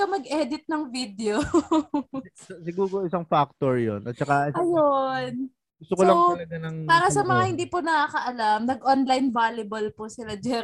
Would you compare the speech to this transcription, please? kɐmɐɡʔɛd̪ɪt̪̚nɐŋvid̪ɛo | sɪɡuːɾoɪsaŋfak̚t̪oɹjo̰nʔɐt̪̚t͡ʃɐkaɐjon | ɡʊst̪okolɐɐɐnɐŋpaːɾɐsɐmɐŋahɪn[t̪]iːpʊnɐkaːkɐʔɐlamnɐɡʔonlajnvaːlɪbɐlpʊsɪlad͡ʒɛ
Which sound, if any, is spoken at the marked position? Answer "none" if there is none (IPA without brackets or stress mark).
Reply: d̪